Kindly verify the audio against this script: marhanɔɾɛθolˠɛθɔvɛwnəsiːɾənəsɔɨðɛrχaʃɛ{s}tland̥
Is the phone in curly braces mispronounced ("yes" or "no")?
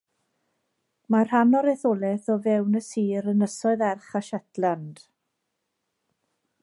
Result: yes